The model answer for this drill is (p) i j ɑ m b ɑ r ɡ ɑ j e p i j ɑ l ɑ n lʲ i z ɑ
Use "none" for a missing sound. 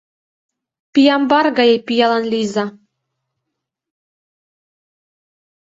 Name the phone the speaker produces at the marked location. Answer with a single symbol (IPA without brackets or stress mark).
p